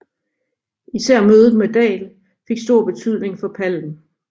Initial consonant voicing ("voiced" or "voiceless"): voiceless